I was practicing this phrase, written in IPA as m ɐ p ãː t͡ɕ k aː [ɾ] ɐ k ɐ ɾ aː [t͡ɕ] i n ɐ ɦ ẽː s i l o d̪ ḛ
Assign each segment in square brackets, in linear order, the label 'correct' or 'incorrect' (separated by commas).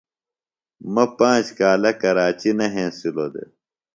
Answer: incorrect, correct